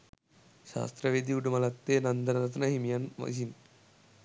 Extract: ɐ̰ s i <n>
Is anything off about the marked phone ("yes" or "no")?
no